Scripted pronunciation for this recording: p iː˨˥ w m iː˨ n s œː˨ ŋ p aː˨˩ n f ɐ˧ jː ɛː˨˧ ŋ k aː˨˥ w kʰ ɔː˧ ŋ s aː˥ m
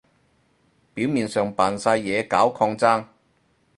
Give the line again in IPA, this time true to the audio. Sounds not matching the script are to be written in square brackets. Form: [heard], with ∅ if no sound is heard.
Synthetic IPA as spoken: p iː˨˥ w m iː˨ n s œː˨ ŋ p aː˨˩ n [s] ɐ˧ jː ɛː˨˧ [∅] k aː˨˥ w kʰ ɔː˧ ŋ [t͡s] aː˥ [ŋ]